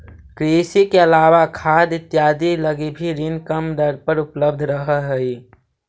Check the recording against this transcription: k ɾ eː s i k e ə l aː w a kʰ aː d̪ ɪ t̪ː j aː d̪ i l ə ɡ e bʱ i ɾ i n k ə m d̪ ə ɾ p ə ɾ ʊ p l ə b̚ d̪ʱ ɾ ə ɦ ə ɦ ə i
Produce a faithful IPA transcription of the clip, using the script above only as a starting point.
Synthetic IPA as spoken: k ɾ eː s i k e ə l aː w a kʰ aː d̪ ɪ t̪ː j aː d̪ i l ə ɡ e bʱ i ɾ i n k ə m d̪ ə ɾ p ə ɾ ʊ p l ə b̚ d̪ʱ ɾ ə ɦ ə ɦ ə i